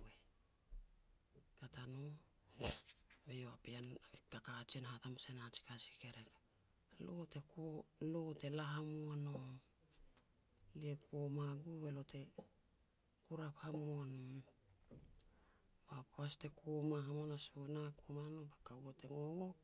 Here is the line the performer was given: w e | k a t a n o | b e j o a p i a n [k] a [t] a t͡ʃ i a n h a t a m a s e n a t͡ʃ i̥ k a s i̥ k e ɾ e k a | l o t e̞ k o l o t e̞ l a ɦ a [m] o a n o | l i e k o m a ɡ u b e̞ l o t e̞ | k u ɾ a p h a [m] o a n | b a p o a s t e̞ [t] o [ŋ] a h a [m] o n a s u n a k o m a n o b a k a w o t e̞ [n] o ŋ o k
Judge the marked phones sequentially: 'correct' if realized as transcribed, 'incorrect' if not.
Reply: correct, incorrect: k, correct, correct, incorrect: k, incorrect: m, correct, incorrect: ŋ

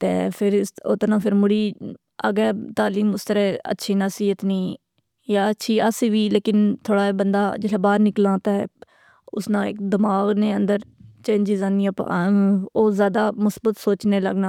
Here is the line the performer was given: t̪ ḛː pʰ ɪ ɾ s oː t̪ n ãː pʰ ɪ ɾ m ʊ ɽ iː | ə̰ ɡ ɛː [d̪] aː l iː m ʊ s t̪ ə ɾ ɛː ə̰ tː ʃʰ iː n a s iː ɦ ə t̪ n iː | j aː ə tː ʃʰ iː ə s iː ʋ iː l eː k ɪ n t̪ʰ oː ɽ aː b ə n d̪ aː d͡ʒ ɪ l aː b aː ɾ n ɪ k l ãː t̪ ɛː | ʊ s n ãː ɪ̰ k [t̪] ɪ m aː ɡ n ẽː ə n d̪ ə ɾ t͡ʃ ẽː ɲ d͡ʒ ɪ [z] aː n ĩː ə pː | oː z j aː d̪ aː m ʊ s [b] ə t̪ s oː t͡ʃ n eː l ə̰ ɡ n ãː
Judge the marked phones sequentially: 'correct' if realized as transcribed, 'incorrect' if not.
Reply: incorrect: t̪, incorrect: d̪, correct, correct

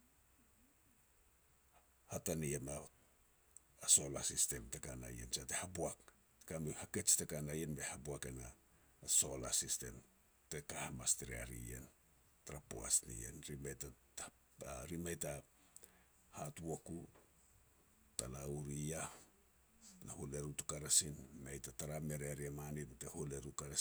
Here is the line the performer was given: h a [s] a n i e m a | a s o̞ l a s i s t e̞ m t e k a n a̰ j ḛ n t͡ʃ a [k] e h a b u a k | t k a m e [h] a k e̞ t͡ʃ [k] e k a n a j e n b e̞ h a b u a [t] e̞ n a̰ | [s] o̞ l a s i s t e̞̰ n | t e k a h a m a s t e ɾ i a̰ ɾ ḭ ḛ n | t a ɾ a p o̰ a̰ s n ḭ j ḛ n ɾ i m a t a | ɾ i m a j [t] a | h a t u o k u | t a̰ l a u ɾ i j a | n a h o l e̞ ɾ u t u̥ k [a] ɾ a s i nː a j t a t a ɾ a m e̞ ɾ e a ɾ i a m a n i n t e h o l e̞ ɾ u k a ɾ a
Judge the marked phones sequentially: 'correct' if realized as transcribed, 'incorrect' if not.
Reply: incorrect: t, incorrect: t, correct, incorrect: t, incorrect: k, correct, correct, correct

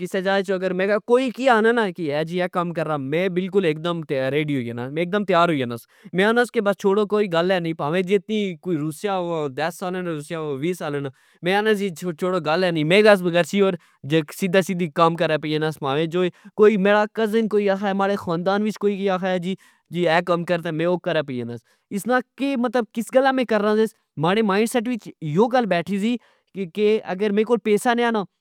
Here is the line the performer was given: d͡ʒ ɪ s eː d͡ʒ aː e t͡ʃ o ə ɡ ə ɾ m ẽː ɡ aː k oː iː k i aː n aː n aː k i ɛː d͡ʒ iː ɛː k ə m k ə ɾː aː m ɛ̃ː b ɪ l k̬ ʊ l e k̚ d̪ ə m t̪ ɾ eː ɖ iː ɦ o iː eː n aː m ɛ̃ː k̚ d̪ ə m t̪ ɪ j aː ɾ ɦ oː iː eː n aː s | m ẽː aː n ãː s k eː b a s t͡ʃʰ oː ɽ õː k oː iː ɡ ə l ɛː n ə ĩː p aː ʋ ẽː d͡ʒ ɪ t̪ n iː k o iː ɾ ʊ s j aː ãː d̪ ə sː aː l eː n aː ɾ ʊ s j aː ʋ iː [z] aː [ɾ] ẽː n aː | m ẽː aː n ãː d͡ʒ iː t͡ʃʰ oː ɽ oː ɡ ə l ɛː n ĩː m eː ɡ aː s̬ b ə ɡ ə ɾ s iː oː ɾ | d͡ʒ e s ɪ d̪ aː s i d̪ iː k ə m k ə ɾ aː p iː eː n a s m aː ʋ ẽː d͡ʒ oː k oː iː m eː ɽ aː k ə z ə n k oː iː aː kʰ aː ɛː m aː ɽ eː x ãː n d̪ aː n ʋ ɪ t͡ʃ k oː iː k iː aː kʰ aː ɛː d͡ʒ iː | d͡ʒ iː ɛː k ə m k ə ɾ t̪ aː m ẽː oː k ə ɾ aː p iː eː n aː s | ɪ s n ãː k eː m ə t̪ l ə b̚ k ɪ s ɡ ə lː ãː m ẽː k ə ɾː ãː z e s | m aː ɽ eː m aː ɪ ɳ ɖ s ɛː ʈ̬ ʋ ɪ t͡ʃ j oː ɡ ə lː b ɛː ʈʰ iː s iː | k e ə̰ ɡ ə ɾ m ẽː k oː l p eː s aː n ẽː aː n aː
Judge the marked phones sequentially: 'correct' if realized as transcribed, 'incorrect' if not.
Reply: incorrect: s, incorrect: l

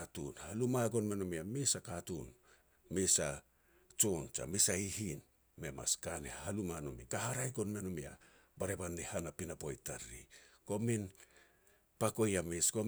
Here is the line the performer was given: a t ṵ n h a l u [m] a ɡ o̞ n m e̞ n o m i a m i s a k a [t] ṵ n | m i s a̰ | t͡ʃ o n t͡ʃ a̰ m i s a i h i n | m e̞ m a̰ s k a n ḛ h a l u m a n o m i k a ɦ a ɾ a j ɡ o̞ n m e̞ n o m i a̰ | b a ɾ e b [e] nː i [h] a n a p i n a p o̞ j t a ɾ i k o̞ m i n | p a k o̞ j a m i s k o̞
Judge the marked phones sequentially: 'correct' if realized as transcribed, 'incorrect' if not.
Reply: correct, correct, incorrect: a, correct

